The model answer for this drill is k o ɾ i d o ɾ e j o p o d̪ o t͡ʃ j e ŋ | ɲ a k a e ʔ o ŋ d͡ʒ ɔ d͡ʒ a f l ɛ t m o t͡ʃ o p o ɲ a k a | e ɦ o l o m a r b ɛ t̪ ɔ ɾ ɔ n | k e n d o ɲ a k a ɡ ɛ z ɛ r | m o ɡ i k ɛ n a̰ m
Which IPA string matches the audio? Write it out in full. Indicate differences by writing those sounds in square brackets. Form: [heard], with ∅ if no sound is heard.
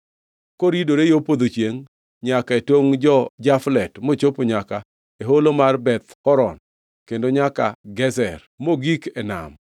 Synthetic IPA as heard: k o ɾ i d o ɾ e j o p o d̪ o t͡ʃ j e ŋ | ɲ a k a e [t] o ŋ d͡ʒ ɔ d͡ʒ a f l ɛ t m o t͡ʃ o p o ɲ a k a | e ɦ o l o m a r b ɛ t̪ ɔ ɾ ɔ n | k e n d o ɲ a k a ɡ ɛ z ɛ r | m o ɡ i k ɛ n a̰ m